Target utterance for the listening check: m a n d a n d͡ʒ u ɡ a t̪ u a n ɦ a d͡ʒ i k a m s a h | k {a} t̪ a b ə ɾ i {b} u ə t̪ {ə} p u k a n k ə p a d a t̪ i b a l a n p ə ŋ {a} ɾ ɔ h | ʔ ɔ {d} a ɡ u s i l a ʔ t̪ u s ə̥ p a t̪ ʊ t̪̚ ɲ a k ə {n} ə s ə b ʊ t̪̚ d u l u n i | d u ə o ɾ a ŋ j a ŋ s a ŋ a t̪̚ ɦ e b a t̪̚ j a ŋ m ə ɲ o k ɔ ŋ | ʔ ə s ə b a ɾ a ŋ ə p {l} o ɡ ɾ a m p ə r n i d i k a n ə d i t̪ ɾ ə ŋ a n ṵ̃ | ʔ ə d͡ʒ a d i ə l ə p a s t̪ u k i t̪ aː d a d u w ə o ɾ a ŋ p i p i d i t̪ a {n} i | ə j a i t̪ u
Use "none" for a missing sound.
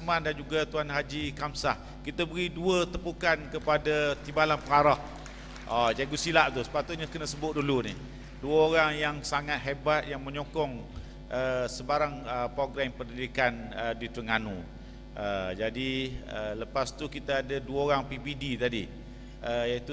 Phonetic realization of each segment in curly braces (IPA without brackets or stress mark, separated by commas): i, d, ə, a, d͡ʒ, n, ɾ, d